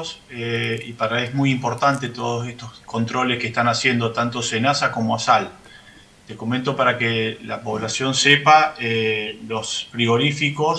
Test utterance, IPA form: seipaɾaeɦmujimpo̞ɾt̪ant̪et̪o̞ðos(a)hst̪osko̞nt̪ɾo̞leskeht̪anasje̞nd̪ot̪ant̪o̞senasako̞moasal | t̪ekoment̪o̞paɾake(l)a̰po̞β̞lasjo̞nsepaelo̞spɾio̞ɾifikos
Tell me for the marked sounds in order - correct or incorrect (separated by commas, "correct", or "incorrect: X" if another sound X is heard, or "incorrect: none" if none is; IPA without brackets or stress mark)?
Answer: incorrect: e, correct